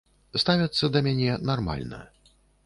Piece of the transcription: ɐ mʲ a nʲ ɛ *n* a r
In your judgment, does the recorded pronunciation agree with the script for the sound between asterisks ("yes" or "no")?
yes